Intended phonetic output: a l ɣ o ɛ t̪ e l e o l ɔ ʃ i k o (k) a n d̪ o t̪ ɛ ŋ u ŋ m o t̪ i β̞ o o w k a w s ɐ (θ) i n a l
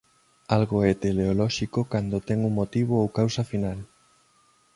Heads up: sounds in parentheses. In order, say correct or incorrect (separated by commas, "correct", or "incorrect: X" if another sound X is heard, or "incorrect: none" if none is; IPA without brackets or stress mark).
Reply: correct, incorrect: f